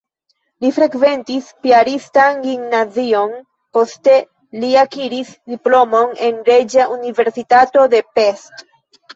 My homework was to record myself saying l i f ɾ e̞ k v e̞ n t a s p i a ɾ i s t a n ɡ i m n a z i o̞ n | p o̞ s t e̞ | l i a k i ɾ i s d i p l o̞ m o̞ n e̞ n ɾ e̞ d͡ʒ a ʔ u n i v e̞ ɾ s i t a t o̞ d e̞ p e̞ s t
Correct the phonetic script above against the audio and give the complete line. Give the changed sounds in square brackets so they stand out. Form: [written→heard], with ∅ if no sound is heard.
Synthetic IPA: l i f ɾ e̞ k v e̞ n t [a→i] s p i a ɾ i s t a n ɡ i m n a z i o̞ n | p o̞ s t e̞ | l i a k i ɾ i s d i p l o̞ m o̞ n e̞ n ɾ e̞ d͡ʒ a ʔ u n i v e̞ ɾ s i t a t o̞ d e̞ p e̞ s t